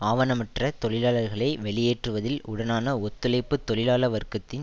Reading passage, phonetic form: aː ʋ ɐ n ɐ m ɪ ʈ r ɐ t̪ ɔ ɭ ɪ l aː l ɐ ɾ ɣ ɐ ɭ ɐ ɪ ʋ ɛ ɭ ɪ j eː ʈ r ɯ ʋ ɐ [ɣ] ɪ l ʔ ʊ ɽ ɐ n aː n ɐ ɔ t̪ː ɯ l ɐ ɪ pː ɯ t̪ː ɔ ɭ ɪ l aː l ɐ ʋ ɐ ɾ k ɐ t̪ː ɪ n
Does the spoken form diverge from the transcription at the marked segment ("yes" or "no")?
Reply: yes